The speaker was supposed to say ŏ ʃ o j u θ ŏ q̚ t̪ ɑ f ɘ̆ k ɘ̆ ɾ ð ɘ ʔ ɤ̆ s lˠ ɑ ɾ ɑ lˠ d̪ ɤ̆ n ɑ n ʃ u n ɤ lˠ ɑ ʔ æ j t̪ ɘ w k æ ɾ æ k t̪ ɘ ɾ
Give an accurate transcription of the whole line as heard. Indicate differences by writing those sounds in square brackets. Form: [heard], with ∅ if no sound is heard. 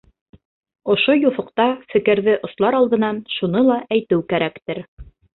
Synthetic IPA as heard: ŏ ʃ o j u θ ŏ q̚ t̪ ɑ f ɘ̆ k ɘ̆ ɾ ð ɘ ʔ [ŏ] s lˠ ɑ ɾ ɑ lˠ d̪ ɤ̆ n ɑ n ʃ u n ɤ lˠ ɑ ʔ æ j t̪ ɘ w k æ ɾ æ k t̪ ɘ ɾ